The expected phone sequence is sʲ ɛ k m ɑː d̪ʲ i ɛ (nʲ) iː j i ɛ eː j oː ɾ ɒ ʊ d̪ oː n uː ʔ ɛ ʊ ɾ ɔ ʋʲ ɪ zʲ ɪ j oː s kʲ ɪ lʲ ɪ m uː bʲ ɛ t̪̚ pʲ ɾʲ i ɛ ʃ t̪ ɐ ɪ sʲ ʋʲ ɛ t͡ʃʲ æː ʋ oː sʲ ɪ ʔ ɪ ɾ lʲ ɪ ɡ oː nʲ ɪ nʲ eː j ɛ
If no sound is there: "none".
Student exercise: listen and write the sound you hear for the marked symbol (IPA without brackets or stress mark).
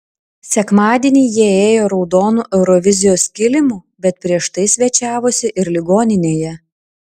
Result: nʲ